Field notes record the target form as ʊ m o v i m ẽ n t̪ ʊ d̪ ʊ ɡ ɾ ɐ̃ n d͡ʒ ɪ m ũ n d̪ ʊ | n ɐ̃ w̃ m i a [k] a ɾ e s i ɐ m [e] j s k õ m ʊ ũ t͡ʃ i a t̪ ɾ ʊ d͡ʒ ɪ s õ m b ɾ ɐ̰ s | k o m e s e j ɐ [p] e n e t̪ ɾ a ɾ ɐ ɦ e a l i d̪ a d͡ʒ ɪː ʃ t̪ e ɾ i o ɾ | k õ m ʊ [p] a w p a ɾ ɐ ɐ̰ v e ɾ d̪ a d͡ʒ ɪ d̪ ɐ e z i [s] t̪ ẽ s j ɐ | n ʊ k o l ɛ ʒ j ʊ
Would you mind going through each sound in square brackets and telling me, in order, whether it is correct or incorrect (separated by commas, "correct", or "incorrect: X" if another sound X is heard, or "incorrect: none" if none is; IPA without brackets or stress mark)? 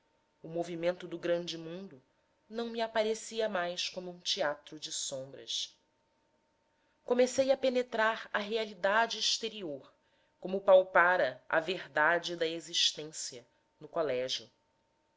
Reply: incorrect: p, incorrect: a, correct, correct, incorrect: ʃ